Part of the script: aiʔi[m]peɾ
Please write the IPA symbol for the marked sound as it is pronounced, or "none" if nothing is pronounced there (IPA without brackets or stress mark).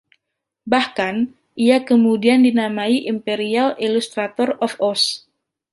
m